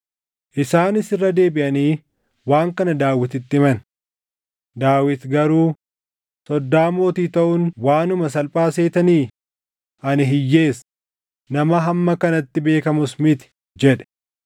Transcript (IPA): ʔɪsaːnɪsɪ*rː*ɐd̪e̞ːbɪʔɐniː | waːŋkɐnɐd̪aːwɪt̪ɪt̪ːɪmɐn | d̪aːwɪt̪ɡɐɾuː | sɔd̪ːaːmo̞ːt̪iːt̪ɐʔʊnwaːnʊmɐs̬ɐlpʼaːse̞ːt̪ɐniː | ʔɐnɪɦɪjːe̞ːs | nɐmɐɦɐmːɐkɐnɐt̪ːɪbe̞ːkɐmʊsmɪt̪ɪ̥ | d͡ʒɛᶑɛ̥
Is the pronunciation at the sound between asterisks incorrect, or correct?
correct